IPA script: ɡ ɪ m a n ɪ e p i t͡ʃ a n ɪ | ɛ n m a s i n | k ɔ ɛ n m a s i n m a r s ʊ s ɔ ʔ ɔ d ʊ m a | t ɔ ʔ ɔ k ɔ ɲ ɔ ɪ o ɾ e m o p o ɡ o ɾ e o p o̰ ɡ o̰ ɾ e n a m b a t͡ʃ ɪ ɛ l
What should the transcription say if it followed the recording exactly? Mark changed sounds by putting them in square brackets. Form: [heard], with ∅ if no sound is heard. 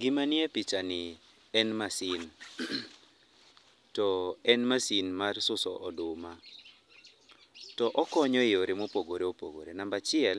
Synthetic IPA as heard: ɡ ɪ m a n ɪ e p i t͡ʃ a n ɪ | ɛ n m a s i n | [t] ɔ ɛ n m a s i n m a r s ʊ s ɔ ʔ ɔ d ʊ m a | t ɔ ʔ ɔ k ɔ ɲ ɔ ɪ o ɾ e m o p o ɡ o ɾ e o p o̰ ɡ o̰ ɾ e n a m b a t͡ʃ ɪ ɛ l